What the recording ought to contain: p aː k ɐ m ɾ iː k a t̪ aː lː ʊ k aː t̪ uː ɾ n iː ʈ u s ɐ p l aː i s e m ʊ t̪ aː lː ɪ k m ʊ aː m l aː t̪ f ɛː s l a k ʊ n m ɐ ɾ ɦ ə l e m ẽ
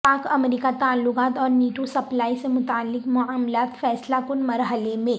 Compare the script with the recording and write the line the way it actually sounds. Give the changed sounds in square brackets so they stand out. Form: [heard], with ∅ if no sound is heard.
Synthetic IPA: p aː k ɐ m ɾ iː k a t̪ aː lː ʊ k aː t̪ [ɔː] ɾ n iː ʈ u s ɐ p l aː i s e m ʊ t̪ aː lː ɪ k m ʊ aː m l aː t̪ f ɛː s l a k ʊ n m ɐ ɾ ɦ ə l e m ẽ